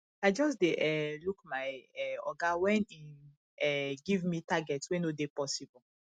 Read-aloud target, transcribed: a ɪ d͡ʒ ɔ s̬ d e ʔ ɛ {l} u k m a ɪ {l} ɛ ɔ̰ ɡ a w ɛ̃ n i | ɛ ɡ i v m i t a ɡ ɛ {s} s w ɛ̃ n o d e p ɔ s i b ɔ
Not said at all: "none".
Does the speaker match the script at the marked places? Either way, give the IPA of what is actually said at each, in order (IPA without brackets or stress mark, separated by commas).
l, none, t